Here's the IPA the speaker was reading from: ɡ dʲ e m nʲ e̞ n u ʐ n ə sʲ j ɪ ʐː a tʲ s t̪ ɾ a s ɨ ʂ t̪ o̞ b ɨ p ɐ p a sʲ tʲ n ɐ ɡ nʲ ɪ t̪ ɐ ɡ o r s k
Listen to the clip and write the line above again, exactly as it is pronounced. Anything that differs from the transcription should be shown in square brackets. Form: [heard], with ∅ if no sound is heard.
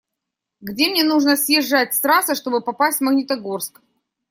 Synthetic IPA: ɡ dʲ e m nʲ e̞ n u ʐ n ə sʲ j ɪ ʐː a tʲ s t̪ ɾ a s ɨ ʂ t̪ o̞ b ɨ p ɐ p a sʲ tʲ [m] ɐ ɡ nʲ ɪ t̪ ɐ ɡ o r s k